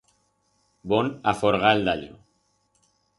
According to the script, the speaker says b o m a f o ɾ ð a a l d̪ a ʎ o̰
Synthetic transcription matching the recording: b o n a f o ɾ ɣ a e l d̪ a ʎ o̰